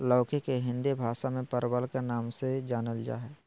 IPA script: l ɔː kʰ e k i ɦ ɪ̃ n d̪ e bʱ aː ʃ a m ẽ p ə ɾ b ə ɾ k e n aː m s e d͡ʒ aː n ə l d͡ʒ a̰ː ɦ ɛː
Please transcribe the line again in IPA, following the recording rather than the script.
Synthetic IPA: l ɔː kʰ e k e ɦ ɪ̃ n d̪ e bʱ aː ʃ a m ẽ p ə ɾ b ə l k e n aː m s e d͡ʒ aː n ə l d͡ʒ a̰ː ɦ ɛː

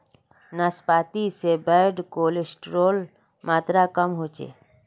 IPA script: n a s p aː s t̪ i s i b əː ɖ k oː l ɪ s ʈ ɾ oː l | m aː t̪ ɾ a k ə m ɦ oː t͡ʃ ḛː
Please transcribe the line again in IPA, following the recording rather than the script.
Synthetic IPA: n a s p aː t̪ i s e b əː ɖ k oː l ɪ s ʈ ɾ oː l | m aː t̪ ɾ a k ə m ɦ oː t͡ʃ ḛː

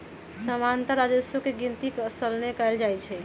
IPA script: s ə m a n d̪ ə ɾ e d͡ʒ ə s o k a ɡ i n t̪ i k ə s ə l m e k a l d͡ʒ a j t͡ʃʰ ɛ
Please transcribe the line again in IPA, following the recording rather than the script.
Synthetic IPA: s ə m a n t̪ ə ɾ a d͡ʒ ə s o k e ɡ i n t̪ i k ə s ə l n e k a l d͡ʒ a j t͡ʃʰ ɛ

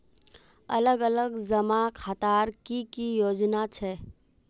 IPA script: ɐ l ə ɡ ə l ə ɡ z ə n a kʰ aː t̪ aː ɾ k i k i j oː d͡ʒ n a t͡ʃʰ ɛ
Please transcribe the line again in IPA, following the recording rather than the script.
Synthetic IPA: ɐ l ə ɡ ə l ə ɡ z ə m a kʰ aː t̪ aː ɾ k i k i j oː d͡ʒ n a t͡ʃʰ ɛ

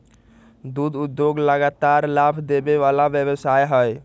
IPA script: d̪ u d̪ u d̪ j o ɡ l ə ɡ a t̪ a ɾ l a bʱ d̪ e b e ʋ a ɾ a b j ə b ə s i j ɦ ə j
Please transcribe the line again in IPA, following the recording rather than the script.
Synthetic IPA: d̪ u d̪ u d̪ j o ɡ l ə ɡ a t̪ a ɾ l a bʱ d̪ e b e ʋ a l a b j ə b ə s a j ɦ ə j

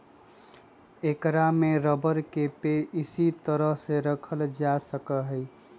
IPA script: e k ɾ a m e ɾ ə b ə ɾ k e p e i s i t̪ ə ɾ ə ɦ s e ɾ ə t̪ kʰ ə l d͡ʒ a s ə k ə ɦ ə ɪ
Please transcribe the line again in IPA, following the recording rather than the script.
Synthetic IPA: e k ɾ a m e ɾ ə b ə ɾ k e p e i s i t̪ ə ɾ ə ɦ s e ɾ ə kʰ ə l d͡ʒ a s ə k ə ɦ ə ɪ

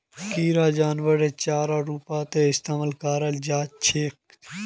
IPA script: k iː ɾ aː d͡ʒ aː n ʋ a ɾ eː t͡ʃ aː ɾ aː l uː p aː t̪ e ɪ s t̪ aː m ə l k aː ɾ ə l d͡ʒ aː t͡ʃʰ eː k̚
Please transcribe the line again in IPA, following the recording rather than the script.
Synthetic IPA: k iː ɾ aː d͡ʒ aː n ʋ ə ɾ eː t͡ʃ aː ɾ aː ɾ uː p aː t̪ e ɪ s t̪ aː m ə l k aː ɾ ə l d͡ʒ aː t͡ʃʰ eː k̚

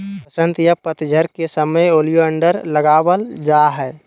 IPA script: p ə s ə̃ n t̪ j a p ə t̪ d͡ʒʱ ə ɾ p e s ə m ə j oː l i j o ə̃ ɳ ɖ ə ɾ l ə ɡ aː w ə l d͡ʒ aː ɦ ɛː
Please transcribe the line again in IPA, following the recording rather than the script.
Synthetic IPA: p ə s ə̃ n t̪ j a p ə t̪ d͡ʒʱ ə ɾ k e s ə m ə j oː l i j o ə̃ ɳ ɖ ə ɾ l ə ɡ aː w ə l d͡ʒ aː ɦ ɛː

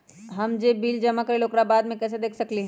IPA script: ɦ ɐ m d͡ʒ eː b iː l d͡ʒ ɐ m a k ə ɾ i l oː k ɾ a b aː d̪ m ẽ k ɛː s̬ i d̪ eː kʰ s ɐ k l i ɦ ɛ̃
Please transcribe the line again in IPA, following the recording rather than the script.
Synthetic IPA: ɦ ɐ m d͡ʒ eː b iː l d͡ʒ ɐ m a k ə ɾ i l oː k ɾ a b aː d̪ m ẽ k ɛː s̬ e d̪ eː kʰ s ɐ k l i ɦ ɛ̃

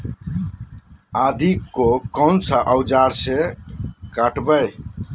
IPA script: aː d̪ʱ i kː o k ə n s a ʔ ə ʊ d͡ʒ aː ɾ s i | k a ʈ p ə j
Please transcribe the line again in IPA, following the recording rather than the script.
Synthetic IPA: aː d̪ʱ i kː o k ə n s a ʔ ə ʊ d͡ʒ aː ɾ s e | k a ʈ b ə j

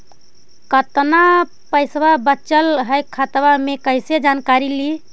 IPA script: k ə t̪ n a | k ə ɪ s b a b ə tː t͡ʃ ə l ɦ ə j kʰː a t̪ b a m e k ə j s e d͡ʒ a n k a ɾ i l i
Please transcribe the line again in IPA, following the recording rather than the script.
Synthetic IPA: k ə t̪ n a | p ə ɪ s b a b ə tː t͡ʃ ə l ɦ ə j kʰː a t̪ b a m e k ə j s e d͡ʒ a n k a ɾ i l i

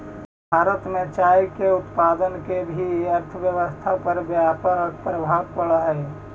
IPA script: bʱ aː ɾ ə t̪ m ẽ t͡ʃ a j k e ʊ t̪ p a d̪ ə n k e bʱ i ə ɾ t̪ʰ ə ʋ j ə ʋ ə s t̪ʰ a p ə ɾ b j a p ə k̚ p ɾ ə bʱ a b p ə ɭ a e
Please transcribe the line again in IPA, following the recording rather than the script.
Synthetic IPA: bʱ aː ɾ ə t̪ m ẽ t͡ʃ a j k e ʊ t̪ p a d̪ ə n k e bʱ i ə ɾ t̪ʰ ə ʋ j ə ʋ ə s t̪ʰ a p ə ɾ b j a p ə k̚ p ɾ ə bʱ a b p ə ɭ a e

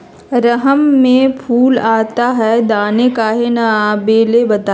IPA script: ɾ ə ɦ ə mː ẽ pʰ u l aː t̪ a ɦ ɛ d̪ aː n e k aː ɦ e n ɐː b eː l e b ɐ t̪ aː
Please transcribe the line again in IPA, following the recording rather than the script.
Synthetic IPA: ɾ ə ɦ ə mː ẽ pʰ uː l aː t̪ a ɦ ɛ d̪ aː n e k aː ɦ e n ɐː b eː l e b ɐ t̪ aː

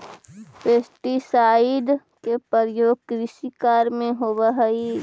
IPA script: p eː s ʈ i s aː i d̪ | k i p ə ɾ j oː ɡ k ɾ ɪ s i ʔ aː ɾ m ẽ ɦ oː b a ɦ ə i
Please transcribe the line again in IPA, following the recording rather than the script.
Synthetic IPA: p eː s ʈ i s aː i d̪ | k e p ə ɾ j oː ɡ k ɾ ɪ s i k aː ɾ m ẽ ɦ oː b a ɦ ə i

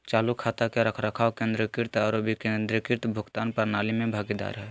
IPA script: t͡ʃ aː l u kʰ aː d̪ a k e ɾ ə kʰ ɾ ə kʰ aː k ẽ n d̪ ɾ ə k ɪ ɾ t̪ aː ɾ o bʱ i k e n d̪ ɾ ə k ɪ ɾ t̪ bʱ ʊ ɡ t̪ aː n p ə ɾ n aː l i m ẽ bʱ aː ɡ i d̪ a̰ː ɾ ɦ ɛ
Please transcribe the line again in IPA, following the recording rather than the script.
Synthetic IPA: t͡ʃ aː l u kʰ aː t̪ a k e ɾ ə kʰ ɾ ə kʰ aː k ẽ n d̪ ɾ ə k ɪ ɾ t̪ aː ɾ o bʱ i k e n d̪ ɾ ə k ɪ ɾ t̪ bʱ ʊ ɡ t̪ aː n p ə ɾ n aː l i m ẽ bʱ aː ɡ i d̪ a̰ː ɾ ɦ ɛ

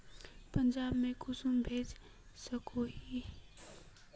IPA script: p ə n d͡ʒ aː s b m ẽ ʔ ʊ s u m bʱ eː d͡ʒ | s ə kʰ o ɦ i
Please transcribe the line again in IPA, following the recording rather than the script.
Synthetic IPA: p ə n d͡ʒ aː b m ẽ k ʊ s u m bʱ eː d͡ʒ | s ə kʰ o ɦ i

